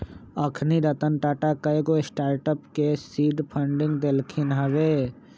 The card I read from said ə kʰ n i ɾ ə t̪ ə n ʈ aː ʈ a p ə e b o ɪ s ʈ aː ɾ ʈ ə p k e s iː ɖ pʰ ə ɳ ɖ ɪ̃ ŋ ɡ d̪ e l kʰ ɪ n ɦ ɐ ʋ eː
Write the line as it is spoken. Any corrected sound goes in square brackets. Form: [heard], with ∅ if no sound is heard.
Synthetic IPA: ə kʰ n i ɾ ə t̪ ə n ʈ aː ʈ a [k] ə e [ɡ] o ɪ s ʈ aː ɾ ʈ ə p k e s iː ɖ pʰ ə ɳ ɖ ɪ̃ ŋ ɡ d̪ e l kʰ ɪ n ɦ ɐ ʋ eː